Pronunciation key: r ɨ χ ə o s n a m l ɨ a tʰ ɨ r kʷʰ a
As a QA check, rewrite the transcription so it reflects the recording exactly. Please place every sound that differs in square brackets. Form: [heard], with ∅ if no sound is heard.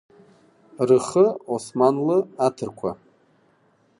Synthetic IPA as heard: r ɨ χ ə o s [m] a [n] l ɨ a tʰ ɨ r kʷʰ a